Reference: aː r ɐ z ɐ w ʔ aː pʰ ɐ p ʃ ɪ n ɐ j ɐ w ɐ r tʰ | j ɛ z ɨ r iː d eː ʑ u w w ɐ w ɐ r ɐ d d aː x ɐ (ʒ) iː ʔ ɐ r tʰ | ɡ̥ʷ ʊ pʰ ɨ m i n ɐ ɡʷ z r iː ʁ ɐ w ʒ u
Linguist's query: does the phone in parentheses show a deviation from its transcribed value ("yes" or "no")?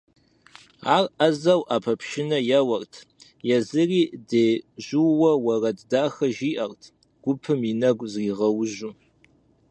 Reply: no